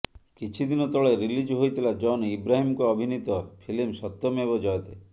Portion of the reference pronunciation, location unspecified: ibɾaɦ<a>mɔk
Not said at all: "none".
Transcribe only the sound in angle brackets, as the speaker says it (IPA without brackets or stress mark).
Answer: i